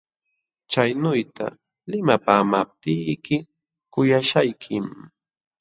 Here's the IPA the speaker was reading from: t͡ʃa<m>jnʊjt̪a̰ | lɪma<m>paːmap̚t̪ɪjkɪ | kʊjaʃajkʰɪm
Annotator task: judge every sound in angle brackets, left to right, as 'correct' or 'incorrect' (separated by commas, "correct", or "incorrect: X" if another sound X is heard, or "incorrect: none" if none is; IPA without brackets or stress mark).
incorrect: none, incorrect: none